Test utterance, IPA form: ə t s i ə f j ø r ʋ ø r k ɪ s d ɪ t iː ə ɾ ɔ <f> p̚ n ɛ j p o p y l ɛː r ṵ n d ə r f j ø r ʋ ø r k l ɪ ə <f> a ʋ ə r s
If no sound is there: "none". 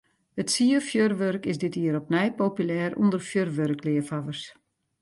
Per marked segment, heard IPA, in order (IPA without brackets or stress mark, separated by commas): none, f